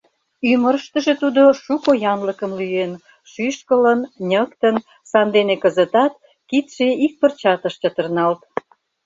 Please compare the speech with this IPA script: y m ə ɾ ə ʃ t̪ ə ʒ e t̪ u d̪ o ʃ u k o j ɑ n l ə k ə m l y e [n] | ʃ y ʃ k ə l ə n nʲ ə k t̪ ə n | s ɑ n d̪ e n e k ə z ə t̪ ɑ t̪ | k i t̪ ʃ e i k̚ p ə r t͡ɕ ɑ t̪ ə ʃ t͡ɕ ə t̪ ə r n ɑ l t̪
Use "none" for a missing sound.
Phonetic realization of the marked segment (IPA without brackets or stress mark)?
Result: n